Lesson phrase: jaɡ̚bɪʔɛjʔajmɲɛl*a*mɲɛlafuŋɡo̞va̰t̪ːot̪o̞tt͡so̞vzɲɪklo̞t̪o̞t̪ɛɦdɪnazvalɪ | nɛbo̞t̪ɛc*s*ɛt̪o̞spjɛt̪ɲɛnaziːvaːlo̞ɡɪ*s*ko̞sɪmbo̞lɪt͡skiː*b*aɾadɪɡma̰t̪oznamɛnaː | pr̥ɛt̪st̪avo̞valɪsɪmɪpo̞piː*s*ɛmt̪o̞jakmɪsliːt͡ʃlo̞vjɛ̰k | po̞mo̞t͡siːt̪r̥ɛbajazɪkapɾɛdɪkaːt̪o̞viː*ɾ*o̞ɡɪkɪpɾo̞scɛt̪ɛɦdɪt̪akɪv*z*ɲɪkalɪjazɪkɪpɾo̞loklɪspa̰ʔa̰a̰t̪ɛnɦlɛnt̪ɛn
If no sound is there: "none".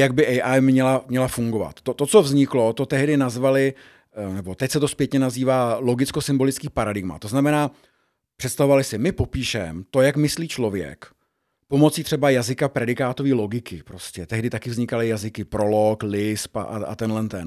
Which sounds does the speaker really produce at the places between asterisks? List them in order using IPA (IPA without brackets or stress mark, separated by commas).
a, s, t͡s, p, ʃ, l, z